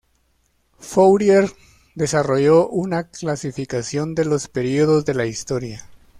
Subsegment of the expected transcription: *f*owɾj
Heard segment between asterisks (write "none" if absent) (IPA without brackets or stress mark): f